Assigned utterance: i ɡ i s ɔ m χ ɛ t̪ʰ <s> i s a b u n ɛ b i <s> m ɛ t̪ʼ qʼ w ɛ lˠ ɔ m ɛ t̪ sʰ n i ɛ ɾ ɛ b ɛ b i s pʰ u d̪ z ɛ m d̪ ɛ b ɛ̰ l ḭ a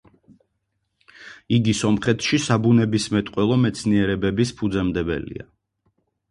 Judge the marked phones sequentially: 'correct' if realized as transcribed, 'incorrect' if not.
incorrect: ʃ, correct

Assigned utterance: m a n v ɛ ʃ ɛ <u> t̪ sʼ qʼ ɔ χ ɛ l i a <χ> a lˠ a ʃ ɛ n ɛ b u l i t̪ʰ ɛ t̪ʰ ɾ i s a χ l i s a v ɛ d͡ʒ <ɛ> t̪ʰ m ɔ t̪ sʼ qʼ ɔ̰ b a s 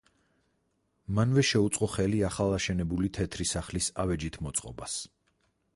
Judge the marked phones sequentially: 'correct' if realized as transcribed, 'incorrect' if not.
correct, correct, incorrect: i

